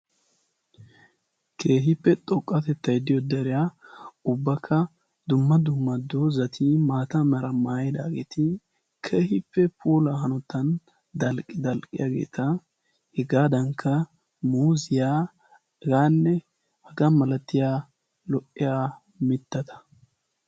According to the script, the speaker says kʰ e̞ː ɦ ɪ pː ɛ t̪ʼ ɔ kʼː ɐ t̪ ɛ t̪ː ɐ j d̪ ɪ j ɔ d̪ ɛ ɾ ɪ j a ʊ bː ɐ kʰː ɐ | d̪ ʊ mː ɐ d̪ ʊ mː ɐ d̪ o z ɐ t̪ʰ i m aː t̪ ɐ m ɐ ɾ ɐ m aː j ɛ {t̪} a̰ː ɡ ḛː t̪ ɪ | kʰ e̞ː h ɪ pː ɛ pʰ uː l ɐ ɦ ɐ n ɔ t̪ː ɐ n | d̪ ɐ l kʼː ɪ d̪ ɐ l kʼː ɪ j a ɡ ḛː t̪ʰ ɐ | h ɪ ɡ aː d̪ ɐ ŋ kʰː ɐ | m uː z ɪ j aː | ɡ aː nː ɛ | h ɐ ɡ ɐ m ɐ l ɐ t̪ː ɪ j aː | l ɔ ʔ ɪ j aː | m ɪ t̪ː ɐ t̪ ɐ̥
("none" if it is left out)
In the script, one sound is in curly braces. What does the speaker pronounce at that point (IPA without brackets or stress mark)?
d̪